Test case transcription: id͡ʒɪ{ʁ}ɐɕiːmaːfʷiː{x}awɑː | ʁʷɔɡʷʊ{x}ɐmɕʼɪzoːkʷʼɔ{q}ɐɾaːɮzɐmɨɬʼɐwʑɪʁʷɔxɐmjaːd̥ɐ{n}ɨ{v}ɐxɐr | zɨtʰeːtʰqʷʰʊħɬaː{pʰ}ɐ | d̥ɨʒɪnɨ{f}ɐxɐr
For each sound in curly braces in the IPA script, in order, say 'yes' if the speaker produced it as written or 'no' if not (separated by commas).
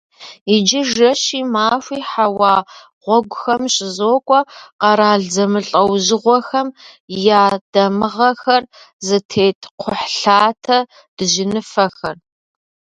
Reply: no, no, yes, yes, no, no, no, yes